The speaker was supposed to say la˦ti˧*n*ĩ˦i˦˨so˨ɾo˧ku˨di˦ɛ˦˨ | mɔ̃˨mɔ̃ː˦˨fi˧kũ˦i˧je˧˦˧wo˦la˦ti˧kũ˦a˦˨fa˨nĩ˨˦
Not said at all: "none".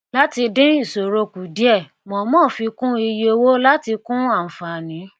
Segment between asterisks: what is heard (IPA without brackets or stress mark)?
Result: d